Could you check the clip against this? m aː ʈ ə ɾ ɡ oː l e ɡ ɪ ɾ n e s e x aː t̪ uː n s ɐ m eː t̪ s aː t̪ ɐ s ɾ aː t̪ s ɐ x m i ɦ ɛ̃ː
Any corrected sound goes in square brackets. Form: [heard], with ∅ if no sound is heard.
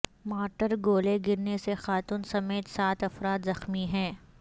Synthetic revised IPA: m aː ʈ ə ɾ ɡ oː l e ɡ ɪ ɾ n e s e x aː t̪ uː n s ɐ m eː t̪ s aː t̪ ɐ [f] ɾ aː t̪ [z] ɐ x m i ɦ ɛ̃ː